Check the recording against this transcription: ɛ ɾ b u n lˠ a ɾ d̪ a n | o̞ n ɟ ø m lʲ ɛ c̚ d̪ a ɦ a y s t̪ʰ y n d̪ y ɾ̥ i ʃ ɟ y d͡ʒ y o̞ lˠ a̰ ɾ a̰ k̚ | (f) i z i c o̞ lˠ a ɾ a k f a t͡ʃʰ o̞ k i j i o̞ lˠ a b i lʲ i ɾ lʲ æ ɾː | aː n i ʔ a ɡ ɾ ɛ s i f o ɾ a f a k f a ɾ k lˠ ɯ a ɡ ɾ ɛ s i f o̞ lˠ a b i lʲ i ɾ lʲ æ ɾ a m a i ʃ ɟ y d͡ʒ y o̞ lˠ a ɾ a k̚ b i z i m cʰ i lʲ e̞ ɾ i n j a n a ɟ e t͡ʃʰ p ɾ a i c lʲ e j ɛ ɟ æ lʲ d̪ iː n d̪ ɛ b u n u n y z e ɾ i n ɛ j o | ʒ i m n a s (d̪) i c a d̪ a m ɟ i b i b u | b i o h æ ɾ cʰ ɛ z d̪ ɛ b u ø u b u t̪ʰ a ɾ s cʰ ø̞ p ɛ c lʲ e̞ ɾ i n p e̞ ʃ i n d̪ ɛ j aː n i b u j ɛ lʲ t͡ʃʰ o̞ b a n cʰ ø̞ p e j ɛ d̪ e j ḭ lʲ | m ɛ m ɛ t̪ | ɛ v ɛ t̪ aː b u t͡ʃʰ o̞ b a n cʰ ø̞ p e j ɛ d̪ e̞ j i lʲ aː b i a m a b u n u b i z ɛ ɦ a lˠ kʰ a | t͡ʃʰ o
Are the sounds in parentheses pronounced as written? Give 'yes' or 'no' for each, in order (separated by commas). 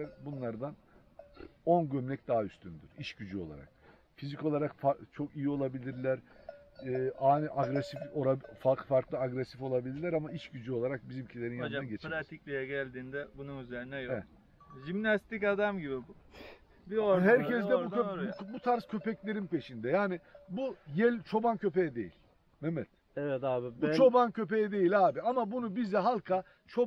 yes, no